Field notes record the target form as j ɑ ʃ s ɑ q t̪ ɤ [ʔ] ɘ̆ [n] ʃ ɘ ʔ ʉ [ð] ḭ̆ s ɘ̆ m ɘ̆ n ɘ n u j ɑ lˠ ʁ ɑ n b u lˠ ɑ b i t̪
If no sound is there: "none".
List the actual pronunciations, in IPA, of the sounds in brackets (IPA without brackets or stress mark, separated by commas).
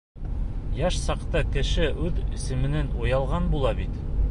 k, none, ð